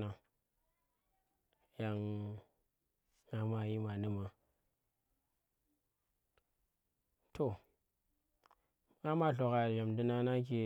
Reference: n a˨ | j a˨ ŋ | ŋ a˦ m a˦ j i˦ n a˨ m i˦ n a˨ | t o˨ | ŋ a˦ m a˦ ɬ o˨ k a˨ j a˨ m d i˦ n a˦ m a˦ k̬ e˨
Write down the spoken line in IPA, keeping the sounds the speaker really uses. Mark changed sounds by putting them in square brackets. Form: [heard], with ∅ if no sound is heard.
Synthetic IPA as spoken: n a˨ | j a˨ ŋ | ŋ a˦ m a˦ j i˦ [m] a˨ [n] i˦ [m] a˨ | t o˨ | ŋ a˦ m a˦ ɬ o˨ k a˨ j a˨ m d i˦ n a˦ [n] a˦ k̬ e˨

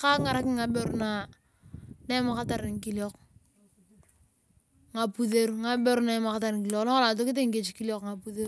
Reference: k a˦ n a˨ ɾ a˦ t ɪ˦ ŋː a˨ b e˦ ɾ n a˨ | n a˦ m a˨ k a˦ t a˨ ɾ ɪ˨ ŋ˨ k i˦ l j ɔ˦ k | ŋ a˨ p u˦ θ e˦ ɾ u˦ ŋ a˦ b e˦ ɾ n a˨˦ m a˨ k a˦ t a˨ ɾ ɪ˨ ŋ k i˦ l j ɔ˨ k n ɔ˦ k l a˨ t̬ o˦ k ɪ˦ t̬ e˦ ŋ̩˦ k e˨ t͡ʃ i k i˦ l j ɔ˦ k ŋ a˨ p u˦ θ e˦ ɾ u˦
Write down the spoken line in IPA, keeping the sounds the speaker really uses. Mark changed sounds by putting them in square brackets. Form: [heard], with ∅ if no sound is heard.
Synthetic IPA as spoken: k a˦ [ŋ] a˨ ɾ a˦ [k] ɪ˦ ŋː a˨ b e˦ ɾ n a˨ | n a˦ m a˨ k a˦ t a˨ ɾ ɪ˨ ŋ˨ k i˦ l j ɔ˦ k | ŋ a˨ p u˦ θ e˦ ɾ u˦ ŋ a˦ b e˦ ɾ n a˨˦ m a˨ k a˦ t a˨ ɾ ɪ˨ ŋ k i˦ l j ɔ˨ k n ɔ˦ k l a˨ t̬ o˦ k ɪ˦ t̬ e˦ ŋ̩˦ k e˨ t͡ʃ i k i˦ l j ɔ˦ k ŋ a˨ p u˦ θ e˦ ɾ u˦

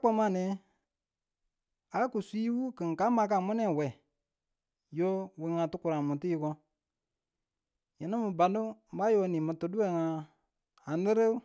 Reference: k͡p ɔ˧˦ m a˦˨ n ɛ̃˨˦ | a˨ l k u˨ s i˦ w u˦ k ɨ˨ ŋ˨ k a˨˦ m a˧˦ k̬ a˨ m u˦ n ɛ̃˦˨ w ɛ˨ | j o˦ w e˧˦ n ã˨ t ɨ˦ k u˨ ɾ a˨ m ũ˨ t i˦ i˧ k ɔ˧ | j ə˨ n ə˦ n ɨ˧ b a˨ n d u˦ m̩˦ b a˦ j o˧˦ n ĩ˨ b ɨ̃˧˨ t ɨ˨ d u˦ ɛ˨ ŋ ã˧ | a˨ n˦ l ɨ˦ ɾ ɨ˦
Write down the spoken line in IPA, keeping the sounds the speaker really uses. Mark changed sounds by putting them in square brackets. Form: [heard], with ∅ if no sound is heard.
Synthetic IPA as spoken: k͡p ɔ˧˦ m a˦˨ n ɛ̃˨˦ | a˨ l k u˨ s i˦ w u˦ k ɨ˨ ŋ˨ k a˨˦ m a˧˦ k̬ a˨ m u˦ n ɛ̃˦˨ w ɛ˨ | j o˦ w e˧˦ [ŋ] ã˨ t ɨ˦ k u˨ ɾ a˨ m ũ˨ t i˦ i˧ k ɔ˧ | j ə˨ n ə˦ [m] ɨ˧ b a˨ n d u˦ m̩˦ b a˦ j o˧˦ n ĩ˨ [m] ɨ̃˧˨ t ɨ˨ d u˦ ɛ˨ ŋ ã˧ | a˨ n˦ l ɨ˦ ɾ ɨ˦

